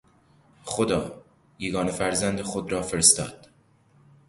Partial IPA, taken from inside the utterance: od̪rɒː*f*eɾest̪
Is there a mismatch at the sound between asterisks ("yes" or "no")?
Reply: no